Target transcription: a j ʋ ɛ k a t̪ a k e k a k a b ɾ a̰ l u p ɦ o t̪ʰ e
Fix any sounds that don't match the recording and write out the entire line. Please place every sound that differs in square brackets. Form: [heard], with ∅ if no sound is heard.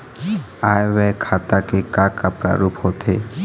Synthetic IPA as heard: a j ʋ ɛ [kʰ] a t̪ a k e k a k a [p] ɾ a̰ [ɾ] u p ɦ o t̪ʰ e